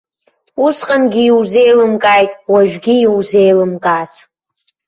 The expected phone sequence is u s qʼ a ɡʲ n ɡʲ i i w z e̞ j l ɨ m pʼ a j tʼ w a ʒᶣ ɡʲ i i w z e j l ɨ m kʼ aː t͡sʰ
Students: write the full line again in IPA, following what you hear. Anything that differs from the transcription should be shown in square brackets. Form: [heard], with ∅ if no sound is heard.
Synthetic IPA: u s qʼ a [∅] n ɡʲ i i w z e̞ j l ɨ m [kʼ] a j tʼ w a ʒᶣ ɡʲ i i w z e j l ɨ m kʼ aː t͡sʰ